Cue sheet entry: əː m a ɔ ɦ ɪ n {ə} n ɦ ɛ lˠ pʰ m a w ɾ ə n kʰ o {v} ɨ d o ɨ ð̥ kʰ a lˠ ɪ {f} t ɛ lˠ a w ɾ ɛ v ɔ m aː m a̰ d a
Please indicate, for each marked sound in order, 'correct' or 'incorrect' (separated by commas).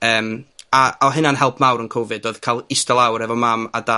incorrect, correct, incorrect